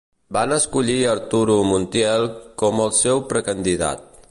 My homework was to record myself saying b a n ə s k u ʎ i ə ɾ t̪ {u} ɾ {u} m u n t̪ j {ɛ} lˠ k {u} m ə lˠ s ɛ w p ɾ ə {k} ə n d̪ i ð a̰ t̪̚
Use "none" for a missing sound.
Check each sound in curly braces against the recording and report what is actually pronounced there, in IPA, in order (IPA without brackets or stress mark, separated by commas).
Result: u, u, ɛ, ɔ, k